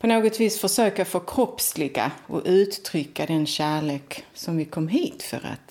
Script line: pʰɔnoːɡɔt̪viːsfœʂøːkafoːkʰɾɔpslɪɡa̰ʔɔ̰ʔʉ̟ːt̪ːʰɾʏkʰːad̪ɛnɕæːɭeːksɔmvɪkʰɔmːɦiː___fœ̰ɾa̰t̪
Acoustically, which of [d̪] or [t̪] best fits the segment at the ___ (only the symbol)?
t̪